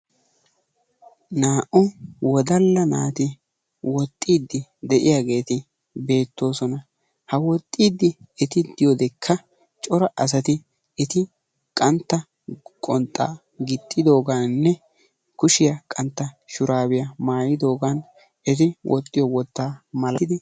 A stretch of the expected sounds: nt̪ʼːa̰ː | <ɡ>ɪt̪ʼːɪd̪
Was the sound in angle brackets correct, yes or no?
yes